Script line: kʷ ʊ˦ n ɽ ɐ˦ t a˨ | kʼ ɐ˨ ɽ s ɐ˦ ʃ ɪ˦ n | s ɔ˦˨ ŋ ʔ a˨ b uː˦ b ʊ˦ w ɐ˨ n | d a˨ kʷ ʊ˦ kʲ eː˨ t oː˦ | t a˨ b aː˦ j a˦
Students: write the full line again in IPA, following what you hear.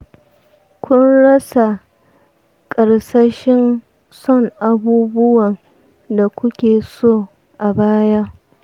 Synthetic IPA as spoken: kʷ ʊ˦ n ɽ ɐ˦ s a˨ | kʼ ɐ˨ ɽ s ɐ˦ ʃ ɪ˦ n | s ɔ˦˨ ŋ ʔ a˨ b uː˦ b ʊ˦ w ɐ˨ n | d a˨ kʷ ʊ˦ kʲ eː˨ s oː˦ | ʔ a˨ b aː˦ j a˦